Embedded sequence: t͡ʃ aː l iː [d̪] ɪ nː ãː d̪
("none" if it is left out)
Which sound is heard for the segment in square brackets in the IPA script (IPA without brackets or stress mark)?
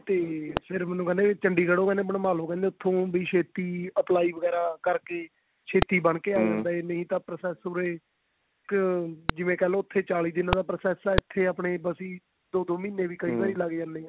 d̪